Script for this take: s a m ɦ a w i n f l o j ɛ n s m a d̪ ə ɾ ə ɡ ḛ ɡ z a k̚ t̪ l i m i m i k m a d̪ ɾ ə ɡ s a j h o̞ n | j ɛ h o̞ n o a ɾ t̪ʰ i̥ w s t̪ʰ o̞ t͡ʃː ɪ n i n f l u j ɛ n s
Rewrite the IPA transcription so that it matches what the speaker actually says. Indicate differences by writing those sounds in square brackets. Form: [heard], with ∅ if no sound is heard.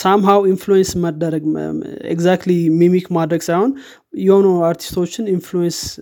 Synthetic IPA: s a m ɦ a w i n f l [u] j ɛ n s m [ə] d̪ ə ɾ ə ɡ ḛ ɡ z a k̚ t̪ l i m i m i k m a d̪ ɾ ə ɡ s a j h o̞ n | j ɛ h o̞ n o a ɾ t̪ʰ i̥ [∅] s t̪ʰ o̞ t͡ʃː ɪ n i n f l u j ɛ n s